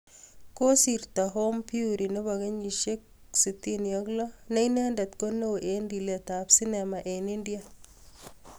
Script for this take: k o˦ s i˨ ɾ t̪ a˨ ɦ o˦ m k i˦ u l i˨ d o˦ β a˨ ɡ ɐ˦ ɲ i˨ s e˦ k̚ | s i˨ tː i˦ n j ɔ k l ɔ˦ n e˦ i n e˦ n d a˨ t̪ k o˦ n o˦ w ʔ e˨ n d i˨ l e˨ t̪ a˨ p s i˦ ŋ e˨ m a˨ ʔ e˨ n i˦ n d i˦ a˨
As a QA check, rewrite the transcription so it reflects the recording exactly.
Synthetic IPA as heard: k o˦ s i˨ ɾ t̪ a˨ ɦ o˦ m p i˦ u ɾ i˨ n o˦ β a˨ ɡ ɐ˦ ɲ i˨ ʃ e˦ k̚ | s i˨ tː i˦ n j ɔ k l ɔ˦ n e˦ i n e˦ n d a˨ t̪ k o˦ n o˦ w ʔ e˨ n d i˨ l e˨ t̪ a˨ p s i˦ n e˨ m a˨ ʔ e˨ n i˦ n d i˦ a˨